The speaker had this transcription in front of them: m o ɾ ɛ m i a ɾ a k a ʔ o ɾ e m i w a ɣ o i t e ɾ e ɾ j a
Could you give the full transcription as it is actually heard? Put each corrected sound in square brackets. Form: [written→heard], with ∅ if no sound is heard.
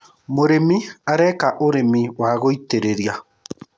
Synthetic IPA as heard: m o ɾ [ɛ→e] m i a ɾ [a→ɛ] k a ʔ o ɾ e m i w a ɣ o i t e ɾ e ɾ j a